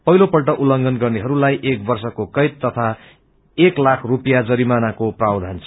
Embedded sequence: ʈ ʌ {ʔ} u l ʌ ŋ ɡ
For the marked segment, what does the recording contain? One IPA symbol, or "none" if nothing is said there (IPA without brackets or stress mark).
ʔ